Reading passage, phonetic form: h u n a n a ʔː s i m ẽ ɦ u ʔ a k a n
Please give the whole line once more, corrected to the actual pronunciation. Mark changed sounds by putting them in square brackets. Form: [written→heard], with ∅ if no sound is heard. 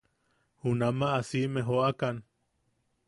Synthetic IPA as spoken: h u n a [n→m] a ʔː s i m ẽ ɦ [u→o] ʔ a k a n